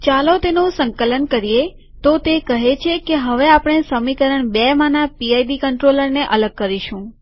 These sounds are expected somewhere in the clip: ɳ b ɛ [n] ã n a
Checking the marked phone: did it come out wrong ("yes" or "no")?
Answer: yes